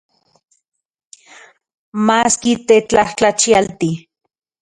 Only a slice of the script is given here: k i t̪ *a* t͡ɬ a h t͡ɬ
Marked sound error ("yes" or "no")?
yes